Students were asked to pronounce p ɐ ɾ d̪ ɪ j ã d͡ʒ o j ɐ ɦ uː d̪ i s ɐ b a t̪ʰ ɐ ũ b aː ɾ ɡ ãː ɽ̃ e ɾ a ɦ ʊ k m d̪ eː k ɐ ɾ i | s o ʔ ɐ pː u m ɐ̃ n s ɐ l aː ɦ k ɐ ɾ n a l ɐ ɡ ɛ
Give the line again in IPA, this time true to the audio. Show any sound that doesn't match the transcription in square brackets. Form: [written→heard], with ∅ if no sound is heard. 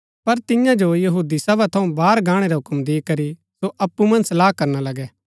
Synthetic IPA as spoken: p ɐ ɾ [d̪→t̪] ɪ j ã d͡ʒ o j ɐ ɦ uː d̪ i s ɐ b a t̪ʰ ɐ ũ b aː ɾ ɡ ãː ɽ̃ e ɾ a ɦ ʊ k m d̪ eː k ɐ ɾ i | s o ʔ ɐ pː u m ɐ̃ n s ɐ l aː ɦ k ɐ ɾ n a l ɐ ɡ ɛ